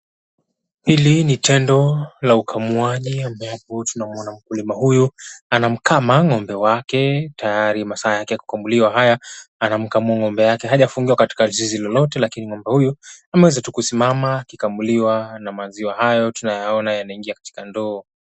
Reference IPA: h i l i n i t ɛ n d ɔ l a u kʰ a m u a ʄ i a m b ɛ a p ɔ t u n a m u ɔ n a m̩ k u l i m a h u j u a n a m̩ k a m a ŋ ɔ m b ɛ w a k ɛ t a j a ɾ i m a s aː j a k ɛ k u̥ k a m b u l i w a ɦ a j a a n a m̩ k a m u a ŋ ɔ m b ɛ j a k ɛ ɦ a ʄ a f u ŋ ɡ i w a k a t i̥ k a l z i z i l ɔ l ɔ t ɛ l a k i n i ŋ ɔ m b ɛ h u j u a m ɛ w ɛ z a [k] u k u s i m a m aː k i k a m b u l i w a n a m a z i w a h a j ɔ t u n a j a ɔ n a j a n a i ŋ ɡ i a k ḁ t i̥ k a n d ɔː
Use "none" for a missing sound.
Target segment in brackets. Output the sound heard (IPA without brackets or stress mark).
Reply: t